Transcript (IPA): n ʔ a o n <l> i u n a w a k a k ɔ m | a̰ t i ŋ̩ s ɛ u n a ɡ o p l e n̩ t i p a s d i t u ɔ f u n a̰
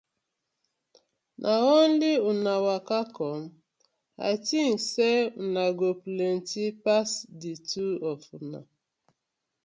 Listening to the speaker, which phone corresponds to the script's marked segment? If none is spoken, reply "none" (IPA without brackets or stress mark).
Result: l